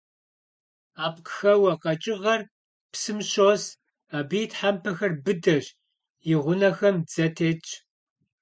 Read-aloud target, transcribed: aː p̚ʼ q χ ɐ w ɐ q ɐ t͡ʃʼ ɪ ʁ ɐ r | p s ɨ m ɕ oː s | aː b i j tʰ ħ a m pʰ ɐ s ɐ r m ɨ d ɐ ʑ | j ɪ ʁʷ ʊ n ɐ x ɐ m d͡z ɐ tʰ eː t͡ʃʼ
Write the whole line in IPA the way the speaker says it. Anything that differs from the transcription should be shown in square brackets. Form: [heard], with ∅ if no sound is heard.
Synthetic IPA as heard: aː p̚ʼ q [x] ɐ w ɐ q ɐ t͡ʃʼ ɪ ʁ ɐ r | p s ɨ m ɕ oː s | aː b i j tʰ ħ a m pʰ ɐ [x] ɐ r [b] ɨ d ɐ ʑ | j ɪ ʁʷ ʊ n ɐ x ɐ m d͡z ɐ tʰ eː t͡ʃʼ